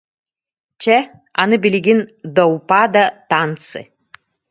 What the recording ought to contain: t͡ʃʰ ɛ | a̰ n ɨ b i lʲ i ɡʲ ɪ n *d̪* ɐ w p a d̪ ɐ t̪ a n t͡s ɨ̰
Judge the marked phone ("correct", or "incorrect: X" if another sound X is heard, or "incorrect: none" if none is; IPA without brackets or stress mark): correct